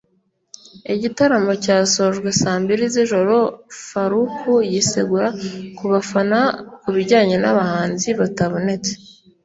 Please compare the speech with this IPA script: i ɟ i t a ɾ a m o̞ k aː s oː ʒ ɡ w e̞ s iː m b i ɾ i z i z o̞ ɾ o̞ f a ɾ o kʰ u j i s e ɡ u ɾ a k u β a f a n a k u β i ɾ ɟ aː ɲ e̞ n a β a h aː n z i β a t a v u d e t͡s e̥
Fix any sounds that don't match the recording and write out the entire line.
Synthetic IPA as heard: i ɟ i t a ɾ a m o̞ c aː s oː ʒ ɡ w e̞ s aː m b i ɾ i z i ʒ o̞ ɾ o̞ f a ɾ u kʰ u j i s e ɡ u ɾ a k u β a f a n a k u β i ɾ ɟ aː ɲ e̞ n a β a h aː n z i β a t a β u n e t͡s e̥